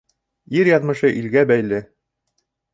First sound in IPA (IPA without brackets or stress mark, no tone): i